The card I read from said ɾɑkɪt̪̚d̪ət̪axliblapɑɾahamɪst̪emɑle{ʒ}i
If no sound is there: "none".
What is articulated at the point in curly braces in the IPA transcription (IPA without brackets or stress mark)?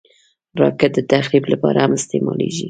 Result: ʒ